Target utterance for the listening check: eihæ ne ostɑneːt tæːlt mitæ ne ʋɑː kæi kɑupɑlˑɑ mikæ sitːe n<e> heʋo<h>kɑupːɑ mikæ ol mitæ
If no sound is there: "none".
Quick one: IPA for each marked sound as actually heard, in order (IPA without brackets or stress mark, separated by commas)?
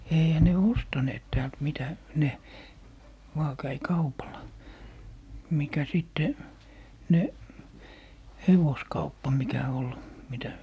e, s